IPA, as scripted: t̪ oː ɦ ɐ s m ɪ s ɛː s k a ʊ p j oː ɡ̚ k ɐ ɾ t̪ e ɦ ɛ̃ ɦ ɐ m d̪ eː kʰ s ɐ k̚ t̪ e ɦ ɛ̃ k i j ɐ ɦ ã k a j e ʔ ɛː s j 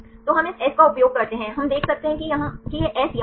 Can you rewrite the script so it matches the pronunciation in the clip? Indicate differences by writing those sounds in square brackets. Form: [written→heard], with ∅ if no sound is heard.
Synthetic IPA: t̪ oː ɦ ɐ [s→∅] m ɪ s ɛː s k a ʊ p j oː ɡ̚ k ɐ ɾ t̪ e ɦ ɛ̃ ɦ ɐ m d̪ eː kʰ s ɐ k̚ t̪ e ɦ ɛ̃ k i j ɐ ɦ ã k [a→i] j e ʔ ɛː s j